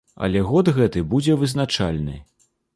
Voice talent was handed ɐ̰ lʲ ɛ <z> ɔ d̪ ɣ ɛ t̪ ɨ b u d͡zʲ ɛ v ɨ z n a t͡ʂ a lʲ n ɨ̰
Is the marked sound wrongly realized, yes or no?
yes